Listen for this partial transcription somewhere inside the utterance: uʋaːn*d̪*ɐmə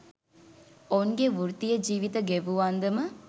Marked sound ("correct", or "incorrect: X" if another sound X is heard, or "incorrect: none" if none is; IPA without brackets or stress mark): correct